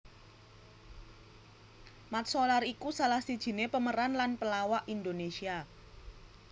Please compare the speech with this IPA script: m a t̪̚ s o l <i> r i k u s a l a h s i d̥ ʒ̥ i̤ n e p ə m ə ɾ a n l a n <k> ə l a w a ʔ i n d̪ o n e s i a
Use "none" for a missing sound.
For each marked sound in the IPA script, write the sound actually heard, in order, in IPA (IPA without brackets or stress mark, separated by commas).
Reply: a, p